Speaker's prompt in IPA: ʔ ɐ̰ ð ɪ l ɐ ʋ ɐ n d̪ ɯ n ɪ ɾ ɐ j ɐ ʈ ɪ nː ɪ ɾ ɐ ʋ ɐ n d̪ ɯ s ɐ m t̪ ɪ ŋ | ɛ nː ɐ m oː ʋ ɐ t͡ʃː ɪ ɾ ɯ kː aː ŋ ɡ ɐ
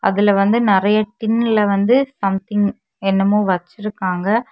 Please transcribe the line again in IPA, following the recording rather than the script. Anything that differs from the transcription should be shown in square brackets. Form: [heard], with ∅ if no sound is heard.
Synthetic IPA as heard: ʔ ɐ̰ ð ɪ l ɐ ʋ ɐ n d̪ ɯ n ɪ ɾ ɐ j ɐ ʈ ɪ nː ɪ [l] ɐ ʋ ɐ n d̪ ɯ s ɐ m t̪ ɪ ŋ | ɛ nː ɐ m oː ʋ ɐ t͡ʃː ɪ ɾ ɯ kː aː ŋ ɡ ɐ